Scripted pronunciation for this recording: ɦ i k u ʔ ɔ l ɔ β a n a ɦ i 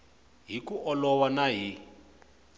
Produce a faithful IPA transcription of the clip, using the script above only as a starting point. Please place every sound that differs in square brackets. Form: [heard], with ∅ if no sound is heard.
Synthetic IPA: ɦ i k u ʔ ɔ l ɔ [w] a n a ɦ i